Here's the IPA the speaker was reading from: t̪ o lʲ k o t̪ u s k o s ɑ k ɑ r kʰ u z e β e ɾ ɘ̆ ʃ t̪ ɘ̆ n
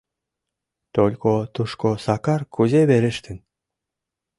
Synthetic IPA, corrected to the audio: t̪ o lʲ k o t̪ u ʃ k o s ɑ k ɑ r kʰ u z e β e ɾ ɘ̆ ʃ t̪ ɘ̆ n